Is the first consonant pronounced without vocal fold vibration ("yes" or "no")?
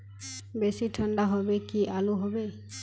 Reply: no